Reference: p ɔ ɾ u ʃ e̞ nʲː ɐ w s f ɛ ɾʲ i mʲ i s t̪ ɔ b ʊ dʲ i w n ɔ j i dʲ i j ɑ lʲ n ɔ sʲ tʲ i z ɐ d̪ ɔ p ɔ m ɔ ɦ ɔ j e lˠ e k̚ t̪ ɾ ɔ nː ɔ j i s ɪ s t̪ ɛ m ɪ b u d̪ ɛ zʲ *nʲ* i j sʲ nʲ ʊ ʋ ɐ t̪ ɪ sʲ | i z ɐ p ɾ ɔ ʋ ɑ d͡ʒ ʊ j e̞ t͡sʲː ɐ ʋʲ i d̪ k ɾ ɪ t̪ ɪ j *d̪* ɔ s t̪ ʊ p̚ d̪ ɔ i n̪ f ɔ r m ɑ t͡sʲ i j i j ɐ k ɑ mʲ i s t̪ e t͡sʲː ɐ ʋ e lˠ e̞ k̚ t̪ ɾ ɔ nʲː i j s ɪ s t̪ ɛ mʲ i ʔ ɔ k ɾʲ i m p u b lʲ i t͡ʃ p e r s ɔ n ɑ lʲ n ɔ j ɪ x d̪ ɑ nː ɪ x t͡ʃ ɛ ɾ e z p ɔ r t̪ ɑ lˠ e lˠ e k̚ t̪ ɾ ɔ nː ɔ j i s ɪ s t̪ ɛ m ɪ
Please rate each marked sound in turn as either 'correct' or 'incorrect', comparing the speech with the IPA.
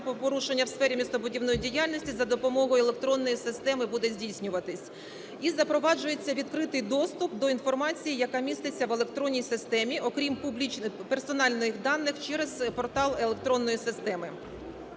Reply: incorrect, correct

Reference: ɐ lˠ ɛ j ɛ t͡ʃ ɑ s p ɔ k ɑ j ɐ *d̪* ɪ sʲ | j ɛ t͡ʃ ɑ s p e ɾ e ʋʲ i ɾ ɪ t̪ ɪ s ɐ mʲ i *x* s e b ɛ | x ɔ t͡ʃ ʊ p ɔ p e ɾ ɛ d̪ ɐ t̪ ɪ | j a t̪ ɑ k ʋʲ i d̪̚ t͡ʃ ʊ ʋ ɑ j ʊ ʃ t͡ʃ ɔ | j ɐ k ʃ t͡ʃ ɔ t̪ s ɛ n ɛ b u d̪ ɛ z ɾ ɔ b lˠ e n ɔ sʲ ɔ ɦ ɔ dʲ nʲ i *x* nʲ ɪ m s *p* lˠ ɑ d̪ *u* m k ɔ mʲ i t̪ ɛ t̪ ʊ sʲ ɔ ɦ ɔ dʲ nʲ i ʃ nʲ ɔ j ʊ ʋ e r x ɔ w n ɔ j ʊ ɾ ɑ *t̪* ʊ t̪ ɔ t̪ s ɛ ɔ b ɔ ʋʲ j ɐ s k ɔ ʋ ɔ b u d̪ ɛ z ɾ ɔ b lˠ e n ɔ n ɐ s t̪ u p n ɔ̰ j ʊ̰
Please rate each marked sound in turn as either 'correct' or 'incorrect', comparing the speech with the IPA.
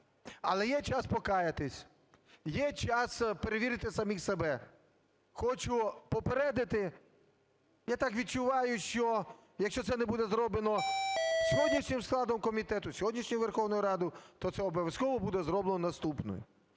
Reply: incorrect, correct, incorrect, incorrect, incorrect, incorrect

